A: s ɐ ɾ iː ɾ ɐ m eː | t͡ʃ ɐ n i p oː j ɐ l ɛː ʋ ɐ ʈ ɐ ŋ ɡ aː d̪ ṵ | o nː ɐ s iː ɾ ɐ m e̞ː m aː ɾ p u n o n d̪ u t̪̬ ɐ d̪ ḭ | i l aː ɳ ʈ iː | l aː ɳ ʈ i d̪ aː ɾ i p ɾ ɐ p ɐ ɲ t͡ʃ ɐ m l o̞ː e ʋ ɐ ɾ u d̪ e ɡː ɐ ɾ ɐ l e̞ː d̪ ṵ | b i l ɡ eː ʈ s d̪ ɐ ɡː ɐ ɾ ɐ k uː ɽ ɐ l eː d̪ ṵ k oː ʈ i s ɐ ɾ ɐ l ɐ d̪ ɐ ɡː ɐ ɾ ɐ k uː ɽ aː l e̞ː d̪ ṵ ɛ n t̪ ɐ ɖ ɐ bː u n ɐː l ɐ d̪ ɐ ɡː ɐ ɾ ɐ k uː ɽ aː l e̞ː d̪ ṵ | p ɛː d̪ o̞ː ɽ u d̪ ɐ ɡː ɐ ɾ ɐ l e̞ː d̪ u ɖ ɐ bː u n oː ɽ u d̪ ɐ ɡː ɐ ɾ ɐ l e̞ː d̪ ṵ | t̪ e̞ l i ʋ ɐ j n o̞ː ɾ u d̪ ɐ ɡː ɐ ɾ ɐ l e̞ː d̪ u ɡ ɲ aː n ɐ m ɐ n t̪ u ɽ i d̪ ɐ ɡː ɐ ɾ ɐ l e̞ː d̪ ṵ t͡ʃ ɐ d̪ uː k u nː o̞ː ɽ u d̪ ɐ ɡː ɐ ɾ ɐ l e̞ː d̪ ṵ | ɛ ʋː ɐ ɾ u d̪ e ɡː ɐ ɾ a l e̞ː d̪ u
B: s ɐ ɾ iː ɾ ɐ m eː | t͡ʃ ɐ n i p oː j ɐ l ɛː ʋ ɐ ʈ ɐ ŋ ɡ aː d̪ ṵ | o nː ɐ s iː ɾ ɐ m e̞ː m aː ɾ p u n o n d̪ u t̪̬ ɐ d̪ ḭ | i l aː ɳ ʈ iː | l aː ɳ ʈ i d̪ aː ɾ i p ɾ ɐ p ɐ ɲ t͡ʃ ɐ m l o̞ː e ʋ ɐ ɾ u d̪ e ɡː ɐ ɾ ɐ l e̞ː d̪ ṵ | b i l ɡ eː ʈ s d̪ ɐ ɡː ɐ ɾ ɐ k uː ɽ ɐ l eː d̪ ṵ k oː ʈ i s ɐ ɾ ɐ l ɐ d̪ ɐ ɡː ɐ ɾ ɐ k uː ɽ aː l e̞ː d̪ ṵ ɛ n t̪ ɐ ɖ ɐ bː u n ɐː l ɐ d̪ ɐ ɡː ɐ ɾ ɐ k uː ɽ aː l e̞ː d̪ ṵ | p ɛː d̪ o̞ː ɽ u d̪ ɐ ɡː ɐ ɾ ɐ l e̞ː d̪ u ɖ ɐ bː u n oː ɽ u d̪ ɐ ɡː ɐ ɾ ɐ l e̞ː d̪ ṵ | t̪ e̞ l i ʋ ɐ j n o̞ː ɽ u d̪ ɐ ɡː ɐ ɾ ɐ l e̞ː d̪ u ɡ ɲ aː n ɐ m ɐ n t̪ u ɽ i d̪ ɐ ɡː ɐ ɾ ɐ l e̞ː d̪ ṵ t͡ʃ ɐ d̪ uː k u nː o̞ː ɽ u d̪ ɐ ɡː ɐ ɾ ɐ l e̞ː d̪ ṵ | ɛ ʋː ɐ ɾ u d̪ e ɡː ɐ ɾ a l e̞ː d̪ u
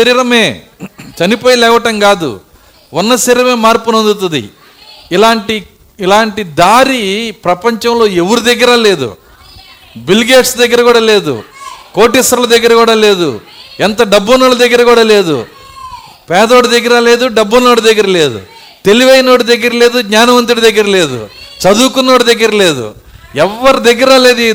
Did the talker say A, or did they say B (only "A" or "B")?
B